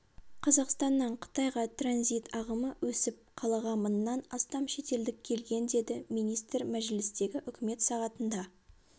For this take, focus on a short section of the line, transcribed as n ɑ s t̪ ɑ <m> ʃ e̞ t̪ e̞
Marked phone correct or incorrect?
correct